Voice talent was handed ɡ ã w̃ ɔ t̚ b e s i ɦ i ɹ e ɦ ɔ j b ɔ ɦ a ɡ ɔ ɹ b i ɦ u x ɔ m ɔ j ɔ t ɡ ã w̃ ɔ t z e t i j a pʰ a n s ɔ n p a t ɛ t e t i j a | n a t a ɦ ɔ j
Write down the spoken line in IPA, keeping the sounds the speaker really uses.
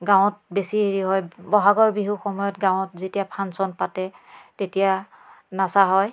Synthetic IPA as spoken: ɡ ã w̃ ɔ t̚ b e s i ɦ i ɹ i ɦ ɔ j b ɔ ɦ a ɡ ɔ ɹ b i ɦ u x ɔ m ɔ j ɔ t ɡ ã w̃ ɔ t z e t i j a pʰ a n s ɔ n p a t ɛ t e t i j a | n a s a ɦ ɔ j